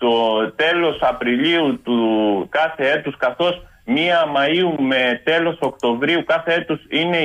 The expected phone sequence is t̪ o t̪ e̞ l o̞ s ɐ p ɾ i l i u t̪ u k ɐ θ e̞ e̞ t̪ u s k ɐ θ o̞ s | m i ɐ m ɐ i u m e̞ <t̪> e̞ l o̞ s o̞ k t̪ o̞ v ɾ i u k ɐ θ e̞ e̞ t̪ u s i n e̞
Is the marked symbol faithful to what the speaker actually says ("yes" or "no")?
yes